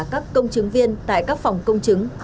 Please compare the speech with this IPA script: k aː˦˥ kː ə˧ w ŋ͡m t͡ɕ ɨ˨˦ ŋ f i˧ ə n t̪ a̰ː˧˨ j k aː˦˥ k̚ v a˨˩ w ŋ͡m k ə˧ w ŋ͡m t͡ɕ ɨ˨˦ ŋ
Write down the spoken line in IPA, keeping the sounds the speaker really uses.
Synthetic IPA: k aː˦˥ kː ə˧ w ŋ͡m t͡ɕ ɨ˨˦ ŋ v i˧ ə n t̪ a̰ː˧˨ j k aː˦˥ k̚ f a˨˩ w ŋ͡m k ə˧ w ŋ͡m t͡ɕ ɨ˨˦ ŋ

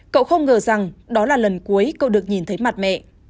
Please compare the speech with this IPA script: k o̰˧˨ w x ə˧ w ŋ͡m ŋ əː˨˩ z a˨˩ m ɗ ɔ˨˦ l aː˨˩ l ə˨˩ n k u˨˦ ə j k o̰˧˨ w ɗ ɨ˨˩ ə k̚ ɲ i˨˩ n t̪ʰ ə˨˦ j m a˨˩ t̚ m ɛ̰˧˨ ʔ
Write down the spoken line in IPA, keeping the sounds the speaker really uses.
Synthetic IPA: k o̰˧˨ w x ə˧ w ŋ͡m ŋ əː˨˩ z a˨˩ ŋ ɗ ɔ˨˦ l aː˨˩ l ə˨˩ n k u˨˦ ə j k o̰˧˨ w ɗ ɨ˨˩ ə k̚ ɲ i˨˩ n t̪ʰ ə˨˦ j m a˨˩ t̚ m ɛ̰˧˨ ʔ

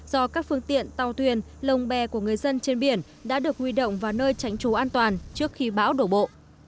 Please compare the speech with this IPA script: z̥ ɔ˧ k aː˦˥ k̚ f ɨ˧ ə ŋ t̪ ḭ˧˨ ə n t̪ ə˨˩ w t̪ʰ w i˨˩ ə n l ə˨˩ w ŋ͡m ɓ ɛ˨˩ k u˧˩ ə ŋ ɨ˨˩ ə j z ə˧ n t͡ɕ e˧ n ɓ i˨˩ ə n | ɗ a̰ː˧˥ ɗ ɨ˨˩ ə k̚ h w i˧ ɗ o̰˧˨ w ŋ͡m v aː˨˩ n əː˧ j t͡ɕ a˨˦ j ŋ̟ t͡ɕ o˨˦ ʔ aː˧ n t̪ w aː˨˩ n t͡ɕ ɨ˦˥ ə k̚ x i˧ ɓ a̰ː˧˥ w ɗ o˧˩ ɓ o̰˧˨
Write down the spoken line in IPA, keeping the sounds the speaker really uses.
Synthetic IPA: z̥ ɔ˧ k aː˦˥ k̚ f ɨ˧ ə ŋ t̪ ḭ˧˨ ə n t̪ a˨˩ w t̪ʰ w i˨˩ ə n l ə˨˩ w ŋ͡m ɓ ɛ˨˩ k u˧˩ ə ŋ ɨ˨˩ ə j z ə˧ n t͡ɕ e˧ n ɓ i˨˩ ə n | ɗ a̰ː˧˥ ɗ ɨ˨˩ ə k̚ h w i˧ ɗ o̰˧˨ w ŋ͡m v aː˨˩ n əː˧ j t͡ɕ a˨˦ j ŋ̟ t͡ɕ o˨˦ ʔ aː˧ n t̪ w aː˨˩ n t͡ɕ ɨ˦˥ ə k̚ x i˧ ɓ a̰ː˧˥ w ɗ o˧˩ ɓ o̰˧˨

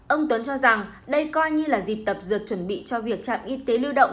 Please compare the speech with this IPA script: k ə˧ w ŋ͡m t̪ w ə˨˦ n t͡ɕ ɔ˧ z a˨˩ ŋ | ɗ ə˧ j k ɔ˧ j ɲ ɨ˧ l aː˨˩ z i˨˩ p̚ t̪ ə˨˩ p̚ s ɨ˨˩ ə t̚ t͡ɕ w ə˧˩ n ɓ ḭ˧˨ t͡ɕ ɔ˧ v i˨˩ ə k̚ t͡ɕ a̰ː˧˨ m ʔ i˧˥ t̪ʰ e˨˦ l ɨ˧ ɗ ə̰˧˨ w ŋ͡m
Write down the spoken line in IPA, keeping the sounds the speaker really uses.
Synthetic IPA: ʔ ə˧ w ŋ͡m t̪ w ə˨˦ n t͡ɕ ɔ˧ z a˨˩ ŋ | ɗ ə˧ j k ɔ˧ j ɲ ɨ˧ l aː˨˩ z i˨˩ p̚ t̪ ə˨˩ p̚ z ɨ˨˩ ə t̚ t͡ɕ w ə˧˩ n ɓ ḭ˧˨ t͡ɕ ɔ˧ v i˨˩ ə k̚ t͡ɕ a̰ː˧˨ m ʔ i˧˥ t̪ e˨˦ l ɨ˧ ɗ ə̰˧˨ w ŋ͡m

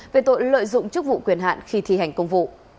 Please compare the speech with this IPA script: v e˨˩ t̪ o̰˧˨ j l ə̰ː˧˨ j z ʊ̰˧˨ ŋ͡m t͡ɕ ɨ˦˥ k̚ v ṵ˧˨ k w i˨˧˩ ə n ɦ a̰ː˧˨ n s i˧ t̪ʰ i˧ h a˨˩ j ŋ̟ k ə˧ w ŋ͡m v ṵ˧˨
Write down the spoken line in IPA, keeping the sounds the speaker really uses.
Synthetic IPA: v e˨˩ t̪ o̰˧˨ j l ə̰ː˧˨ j z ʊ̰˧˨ ŋ͡m t͡ɕ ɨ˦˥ k̚ v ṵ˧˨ k w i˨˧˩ ə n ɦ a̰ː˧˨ n x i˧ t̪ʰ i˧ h a˨˩ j ŋ̟ k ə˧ w ŋ͡m v ṵ˧˨

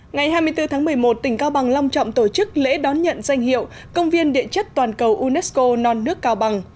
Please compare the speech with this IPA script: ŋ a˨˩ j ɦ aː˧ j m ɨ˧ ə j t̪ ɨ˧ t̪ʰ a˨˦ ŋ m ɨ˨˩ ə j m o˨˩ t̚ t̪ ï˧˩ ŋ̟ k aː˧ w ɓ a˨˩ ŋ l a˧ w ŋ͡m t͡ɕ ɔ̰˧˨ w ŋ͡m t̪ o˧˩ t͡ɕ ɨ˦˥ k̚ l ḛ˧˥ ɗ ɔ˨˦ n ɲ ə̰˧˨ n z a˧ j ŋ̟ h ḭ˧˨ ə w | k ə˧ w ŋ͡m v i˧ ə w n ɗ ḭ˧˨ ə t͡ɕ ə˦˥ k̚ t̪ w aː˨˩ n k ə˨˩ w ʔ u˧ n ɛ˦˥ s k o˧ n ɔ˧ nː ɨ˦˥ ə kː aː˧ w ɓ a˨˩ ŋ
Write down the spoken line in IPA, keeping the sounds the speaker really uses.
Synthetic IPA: ŋ a˨˩ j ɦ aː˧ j m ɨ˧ ə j t̪ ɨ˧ t̪ʰ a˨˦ ŋ m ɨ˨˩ ə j m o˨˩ t̚ t̪ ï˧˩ ŋ̟ k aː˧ w ɓ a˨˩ ŋ l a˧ w ŋ͡m t͡ɕ ɔ̰˧˨ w ŋ͡m t̪ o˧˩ t͡ɕ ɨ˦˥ k̚ l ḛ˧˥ ɗ ɔ˨˦ n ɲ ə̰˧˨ n z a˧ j ŋ̟ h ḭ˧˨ ə w | k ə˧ w ŋ͡m v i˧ ə n ɗ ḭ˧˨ ə t͡ɕ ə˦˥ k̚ t̪ w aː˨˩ n k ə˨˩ w ʔ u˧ n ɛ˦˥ s k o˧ n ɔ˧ nː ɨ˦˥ ə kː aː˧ w ɓ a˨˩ ŋ

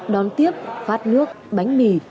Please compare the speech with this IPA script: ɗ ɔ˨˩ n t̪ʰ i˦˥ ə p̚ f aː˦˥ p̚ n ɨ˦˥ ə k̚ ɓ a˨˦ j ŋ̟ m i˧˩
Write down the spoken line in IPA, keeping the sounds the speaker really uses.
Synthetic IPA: ɗ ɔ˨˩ n t̪ i˦˥ ə p̚ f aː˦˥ t̚ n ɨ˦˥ ə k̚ ɓ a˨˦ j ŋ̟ m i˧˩

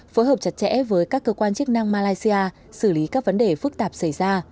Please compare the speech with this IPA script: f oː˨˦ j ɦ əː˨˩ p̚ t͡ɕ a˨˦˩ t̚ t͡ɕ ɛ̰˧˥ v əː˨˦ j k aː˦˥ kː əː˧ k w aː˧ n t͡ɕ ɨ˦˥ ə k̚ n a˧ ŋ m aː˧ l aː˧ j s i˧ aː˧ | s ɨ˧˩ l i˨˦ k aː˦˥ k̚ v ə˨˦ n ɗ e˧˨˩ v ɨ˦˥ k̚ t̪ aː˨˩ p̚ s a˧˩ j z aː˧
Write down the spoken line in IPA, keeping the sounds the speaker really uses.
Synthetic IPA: f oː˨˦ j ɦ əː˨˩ p̚ t͡ɕ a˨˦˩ t̚ t͡ɕ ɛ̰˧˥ v əː˨˦ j k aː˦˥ kː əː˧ k w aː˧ n t͡ɕ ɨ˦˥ ə k̚ n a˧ ŋ m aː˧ l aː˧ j s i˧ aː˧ | s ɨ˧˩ l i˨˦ k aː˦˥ k̚ v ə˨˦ n ɗ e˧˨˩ f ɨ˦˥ k̚ t̪ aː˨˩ p̚ s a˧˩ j z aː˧

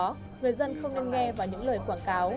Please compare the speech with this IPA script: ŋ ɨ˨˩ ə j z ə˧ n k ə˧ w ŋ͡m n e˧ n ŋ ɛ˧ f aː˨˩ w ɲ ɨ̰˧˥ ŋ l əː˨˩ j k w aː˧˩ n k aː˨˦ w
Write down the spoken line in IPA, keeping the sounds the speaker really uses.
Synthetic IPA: ŋ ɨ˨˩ ə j z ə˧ n x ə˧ w ŋ͡m n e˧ n ŋ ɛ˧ v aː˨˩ w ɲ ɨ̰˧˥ ŋ l əː˨˩ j k w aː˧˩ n k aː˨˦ w

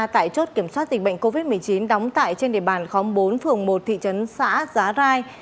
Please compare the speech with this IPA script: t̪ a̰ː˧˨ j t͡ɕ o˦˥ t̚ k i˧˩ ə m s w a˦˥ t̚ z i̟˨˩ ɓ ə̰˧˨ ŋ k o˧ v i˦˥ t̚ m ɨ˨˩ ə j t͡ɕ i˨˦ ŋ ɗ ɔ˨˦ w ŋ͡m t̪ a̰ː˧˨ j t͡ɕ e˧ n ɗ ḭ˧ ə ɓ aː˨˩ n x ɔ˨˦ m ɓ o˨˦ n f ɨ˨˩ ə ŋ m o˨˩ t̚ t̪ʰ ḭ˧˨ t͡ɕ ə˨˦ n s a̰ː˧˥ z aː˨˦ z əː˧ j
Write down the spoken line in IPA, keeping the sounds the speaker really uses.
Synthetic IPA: t̪ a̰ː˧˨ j t͡ɕ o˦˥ t̚ k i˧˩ ə m s w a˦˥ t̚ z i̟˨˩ ɓ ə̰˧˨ ŋ k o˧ v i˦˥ t̚ m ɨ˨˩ ə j t͡ɕ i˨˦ n ɗ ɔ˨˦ w ŋ͡m t̪ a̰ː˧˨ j t͡ɕ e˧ n ɗ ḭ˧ ə ɓ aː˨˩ n x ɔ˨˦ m ɓ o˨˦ n f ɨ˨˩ ə ŋ m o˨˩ t̚ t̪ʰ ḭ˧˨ t͡ɕ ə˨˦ n s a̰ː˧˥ z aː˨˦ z aː˧ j

